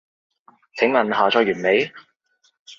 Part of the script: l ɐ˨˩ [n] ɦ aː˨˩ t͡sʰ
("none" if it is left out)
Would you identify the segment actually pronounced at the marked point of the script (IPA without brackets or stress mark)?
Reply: n